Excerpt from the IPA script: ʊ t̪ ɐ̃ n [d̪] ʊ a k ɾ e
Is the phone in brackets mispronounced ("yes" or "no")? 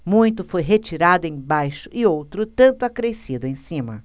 yes